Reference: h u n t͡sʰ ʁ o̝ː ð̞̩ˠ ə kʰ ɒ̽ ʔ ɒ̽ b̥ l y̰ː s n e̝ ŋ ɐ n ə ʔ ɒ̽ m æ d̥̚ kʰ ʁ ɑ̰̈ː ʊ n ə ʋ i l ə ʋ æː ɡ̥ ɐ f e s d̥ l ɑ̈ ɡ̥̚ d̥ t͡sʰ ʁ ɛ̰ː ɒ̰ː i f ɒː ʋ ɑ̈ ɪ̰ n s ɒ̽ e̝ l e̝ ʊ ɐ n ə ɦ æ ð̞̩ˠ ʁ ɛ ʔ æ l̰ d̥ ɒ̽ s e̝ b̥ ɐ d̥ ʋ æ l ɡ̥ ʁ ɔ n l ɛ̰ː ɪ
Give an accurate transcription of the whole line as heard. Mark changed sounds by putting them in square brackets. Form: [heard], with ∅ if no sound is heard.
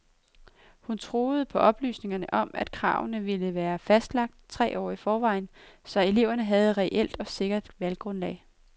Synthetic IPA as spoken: h u n t͡sʰ ʁ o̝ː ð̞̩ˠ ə [pʰ] ɒ̽ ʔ ɒ̽ b̥ l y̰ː s n e̝ ŋ ɐ n ə ʔ ɒ̽ m æ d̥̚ kʰ ʁ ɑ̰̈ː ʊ n ə ʋ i l ə ʋ æː [∅] ɐ f [æ] s d̥ l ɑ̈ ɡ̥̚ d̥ t͡sʰ ʁ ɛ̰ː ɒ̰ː i f ɒː ʋ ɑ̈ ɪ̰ n s ɒ̽ e̝ l e̝ ʊ ɐ n ə ɦ æ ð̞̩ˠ ʁ ɛ ʔ [e] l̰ d̥ ɒ̽ s e̝ [ɡ̥] ɐ d̥ ʋ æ l ɡ̥ ʁ ɔ n l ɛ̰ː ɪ

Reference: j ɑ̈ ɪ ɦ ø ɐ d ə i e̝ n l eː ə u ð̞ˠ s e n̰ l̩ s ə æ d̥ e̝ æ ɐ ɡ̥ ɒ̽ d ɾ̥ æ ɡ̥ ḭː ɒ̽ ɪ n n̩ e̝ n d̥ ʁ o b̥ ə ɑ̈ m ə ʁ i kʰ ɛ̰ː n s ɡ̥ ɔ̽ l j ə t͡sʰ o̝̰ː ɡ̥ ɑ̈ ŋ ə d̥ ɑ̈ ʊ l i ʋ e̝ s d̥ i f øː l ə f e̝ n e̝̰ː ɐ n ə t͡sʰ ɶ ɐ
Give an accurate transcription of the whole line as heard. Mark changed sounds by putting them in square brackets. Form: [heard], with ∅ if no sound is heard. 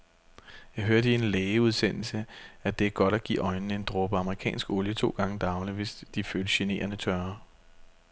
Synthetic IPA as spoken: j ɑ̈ ɪ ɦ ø ɐ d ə i e̝ n l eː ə u ð̞ˠ s e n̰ l̩ s ə æ d̥ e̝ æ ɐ ɡ̥ ɒ̽ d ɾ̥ æ ɡ̥ ḭː ɒ̽ ɪ n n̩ e̝ n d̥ ʁ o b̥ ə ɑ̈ m ə ʁ i kʰ ɛ̰ː n s ɡ̥ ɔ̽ l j ə t͡sʰ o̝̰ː ɡ̥ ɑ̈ ŋ ə d̥ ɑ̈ ʊ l i ʋ e̝ s d̥ i f øː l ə [ɕ] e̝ n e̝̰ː ɐ n ə t͡sʰ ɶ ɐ

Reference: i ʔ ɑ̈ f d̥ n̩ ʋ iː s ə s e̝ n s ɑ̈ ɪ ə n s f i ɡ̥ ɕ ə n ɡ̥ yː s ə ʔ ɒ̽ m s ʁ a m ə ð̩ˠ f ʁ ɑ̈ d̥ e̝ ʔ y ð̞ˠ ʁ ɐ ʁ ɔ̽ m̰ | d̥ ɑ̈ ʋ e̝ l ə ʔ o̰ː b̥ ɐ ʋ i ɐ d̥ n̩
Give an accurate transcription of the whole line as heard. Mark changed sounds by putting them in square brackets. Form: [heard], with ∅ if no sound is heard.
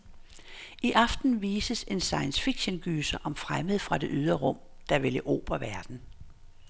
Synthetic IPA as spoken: i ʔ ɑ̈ f d̥ n̩ ʋ iː s ə s e̝ n s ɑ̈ ɪ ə n s f i ɡ̥ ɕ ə n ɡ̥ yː s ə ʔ ɒ̽ m [f] ʁ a m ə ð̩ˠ f ʁ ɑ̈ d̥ e̝ ʔ y ð̞ˠ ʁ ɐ ʁ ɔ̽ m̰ | d̥ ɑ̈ ʋ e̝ l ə ʔ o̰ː b̥ ɐ ʋ [æ] ɐ d̥ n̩

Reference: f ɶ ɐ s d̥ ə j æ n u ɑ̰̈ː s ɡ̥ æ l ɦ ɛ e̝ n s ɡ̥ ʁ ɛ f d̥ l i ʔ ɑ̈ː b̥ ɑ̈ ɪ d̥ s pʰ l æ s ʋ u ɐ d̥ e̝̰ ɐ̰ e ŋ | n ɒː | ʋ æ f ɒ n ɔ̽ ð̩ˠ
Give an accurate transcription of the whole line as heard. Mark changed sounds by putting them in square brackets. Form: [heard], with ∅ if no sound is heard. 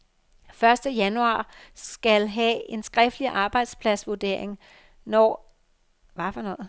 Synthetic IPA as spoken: f ɶ ɐ s d̥ ə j æ n u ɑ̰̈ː s ɡ̥ æ l ɦ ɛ e̝ n s ɡ̥ ʁ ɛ f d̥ l i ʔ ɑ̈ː b̥ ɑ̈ ɪ d̥ s pʰ l æ s ʋ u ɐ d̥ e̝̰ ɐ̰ e ŋ | n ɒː | ʋ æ f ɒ n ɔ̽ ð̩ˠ

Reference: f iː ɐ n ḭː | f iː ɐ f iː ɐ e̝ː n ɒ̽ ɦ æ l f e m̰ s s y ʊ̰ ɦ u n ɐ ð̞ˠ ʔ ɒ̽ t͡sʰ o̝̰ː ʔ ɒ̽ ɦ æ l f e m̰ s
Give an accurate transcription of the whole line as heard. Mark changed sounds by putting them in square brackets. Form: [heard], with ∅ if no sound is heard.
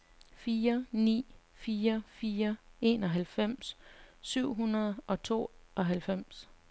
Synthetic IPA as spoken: f iː ɐ n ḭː | f iː ɐ f iː ɐ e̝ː n ɒ̽ ɦ æ l f e m̰ s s y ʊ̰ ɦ u n ɐ ð̞ˠ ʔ ɒ̽ t͡sʰ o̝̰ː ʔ ɒ̽ ɦ æ l f e m̰ s

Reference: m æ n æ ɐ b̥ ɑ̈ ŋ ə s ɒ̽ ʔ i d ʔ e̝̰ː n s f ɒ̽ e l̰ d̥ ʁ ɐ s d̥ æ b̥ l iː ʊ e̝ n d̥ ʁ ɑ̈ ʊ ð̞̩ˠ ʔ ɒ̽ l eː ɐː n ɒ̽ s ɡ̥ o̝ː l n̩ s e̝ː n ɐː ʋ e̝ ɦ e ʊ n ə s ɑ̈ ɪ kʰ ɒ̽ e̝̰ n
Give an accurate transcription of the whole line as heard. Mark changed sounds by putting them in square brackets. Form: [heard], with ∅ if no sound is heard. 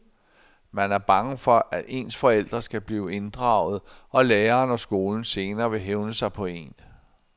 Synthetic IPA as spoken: m æ n æ ɐ b̥ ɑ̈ ŋ ə [f] ɒ̽ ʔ [æ] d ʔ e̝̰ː n s f ɒ̽ e l̰ d̥ ʁ ɐ s [ɡ̥] æ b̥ l iː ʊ e̝ n d̥ ʁ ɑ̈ ʊ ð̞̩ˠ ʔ ɒ̽ l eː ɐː n ɒ̽ s ɡ̥ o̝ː l n̩ s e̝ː n ɐː ʋ e̝ ɦ e ʊ n ə s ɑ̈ ɪ [pʰ] ɒ̽ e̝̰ n

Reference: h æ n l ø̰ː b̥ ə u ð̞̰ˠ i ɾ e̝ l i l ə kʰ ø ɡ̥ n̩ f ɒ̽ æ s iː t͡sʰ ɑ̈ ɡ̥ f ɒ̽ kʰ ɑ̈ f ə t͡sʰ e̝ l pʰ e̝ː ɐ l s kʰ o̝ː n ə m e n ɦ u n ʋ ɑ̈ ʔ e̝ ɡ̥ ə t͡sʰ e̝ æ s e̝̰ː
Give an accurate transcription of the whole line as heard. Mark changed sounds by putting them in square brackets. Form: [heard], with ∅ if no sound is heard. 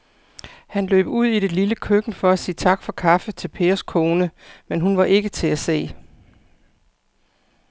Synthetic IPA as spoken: h æ n l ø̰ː b̥ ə u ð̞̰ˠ i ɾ e̝ l i l ə kʰ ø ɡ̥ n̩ f ɒ̽ æ s iː t͡sʰ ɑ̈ ɡ̥ f ɒ̽ kʰ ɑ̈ f ə t͡sʰ e̝ l pʰ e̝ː ɐ [∅] s kʰ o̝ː n ə m e n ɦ u n ʋ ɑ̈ ʔ e̝ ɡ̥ ə t͡sʰ e̝ æ s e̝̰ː

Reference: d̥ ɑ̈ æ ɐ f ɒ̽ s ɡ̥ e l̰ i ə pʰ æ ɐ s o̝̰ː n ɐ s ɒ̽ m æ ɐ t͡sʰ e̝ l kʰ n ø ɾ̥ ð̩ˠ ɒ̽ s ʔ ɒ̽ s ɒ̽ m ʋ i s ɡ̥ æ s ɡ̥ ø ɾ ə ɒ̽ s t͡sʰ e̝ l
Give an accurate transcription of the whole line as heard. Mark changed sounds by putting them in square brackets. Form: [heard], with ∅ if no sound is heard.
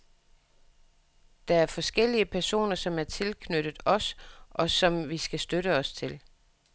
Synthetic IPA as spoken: d̥ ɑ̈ æ ɐ f ɒ̽ s ɡ̥ e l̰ i ə pʰ æ ɐ s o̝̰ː n ɐ s ɒ̽ m æ ɐ t͡sʰ e̝ l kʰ n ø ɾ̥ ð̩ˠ ɒ̽ s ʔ ɒ̽ s ɒ̽ m ʋ i s ɡ̥ æ s [d̥] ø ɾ ə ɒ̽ s t͡sʰ e̝ l

